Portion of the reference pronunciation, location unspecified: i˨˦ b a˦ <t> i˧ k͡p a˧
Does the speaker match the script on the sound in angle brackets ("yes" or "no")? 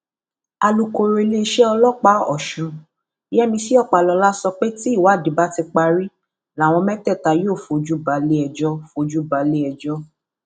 yes